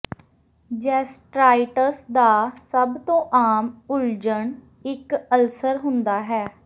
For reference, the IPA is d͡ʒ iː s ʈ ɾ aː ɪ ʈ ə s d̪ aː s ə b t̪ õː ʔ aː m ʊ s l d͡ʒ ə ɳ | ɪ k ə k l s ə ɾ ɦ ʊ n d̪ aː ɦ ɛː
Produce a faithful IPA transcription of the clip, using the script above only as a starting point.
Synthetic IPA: d͡ʒ ɛː s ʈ ɾ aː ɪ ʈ ə s d̪ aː s ə b t̪ õː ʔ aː m ʊ l d͡ʒ ə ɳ | ɪ k ə l s ə ɾ ɦ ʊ n d̪ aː ɦ ɛː